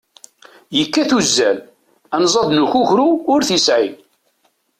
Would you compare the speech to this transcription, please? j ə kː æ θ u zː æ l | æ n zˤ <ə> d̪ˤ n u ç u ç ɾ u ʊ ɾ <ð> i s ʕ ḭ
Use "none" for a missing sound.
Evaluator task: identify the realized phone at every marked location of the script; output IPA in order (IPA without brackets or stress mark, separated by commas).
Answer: ɑ, θ